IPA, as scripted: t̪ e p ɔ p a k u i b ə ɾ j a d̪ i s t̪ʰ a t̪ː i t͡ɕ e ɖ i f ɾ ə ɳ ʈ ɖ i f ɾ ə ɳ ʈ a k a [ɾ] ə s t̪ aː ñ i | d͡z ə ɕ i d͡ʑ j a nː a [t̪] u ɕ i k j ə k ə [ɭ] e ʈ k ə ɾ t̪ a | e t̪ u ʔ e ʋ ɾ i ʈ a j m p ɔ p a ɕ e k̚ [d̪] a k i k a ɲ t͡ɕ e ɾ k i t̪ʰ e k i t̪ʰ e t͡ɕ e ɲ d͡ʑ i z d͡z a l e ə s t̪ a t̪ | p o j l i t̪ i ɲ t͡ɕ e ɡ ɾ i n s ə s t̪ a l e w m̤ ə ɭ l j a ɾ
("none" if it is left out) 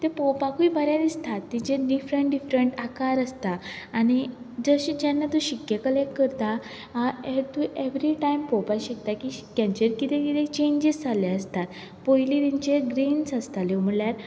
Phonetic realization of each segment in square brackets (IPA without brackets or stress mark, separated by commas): ɾ, t̪, l, t̪